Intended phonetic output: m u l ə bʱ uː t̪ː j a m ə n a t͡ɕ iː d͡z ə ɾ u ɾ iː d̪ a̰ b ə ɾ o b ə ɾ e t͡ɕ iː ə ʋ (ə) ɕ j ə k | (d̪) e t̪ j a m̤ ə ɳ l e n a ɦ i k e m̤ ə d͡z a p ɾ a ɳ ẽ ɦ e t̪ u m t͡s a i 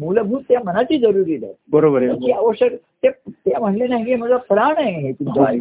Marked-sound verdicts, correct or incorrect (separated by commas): correct, incorrect